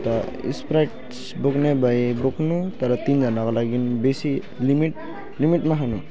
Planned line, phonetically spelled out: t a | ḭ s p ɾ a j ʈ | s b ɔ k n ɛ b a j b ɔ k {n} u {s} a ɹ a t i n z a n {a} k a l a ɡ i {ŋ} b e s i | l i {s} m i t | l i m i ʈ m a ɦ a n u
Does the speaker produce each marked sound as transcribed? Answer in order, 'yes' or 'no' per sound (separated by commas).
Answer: yes, no, yes, no, no